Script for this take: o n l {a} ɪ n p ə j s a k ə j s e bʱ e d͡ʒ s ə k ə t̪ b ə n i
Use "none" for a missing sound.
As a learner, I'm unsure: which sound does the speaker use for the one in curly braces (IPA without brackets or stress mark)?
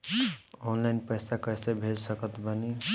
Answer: a